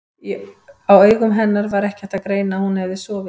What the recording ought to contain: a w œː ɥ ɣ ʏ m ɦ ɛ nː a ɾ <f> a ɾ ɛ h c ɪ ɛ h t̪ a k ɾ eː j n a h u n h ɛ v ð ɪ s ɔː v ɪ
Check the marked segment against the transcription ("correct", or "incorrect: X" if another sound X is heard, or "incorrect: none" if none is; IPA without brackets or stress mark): incorrect: v